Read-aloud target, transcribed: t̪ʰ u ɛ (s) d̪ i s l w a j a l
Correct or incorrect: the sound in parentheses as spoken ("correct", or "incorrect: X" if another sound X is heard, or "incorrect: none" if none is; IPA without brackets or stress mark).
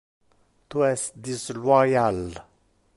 correct